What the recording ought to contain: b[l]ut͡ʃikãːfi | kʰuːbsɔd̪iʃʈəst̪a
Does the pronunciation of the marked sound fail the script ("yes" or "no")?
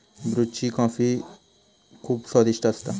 yes